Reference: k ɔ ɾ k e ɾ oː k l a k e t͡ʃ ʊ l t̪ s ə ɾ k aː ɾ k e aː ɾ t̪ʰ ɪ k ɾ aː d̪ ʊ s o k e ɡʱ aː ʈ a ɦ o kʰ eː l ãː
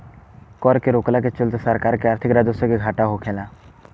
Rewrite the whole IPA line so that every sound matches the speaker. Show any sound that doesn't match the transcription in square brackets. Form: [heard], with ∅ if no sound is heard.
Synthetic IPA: k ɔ ɾ k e ɾ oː k l a k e t͡ʃ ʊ l t̪ s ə ɾ k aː ɾ k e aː ɾ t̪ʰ ɪ k ɾ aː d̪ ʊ s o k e ɡʱ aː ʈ a ɦ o kʰ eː l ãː